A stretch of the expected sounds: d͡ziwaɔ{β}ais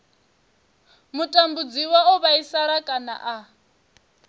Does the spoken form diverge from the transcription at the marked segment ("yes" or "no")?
no